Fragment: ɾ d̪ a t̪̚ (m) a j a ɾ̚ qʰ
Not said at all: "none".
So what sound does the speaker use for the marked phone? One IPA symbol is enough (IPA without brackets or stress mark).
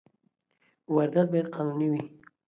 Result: b